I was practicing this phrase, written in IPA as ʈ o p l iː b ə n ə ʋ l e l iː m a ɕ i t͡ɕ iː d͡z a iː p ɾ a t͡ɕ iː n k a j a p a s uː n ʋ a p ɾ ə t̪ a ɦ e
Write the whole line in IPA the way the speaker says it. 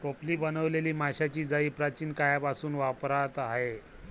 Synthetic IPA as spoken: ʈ o p l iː b ə n ə ʋ l e l iː m a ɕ a t͡ɕ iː d͡z a iː p ɾ a t͡ɕ iː n k a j a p a s uː n ʋ a p ɾ a t̪ a ɦ e